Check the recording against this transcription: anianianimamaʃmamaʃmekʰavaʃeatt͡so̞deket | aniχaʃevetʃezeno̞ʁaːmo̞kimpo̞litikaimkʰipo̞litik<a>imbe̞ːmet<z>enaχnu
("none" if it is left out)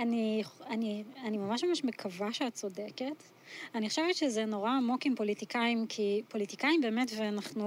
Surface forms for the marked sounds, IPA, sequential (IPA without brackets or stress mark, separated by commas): a, v